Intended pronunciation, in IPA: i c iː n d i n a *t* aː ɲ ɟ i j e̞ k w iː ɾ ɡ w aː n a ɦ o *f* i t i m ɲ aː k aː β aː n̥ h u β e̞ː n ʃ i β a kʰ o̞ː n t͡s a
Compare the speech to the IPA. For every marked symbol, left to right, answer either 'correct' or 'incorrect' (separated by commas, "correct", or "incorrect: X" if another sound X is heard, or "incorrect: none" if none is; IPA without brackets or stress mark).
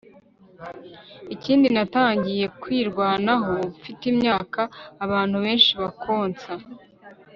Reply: correct, correct